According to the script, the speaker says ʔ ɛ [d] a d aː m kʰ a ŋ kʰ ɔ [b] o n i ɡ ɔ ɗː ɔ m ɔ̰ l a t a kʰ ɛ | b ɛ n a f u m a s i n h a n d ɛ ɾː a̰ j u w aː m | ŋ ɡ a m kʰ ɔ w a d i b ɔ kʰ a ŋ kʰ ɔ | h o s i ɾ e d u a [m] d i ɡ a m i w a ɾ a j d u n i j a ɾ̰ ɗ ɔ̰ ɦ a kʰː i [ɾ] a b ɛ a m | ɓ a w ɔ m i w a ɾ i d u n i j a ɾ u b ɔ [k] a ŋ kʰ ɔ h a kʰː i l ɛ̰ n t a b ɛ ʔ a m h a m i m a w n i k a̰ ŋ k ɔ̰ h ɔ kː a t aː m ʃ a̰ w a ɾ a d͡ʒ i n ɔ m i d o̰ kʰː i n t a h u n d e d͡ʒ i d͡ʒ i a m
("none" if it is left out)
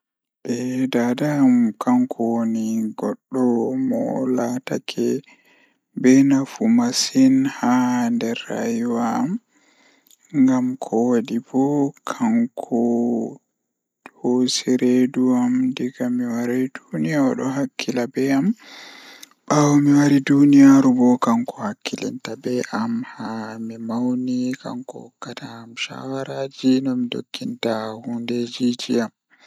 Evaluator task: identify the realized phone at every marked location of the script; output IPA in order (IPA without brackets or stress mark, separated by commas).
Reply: d, w, m, l, k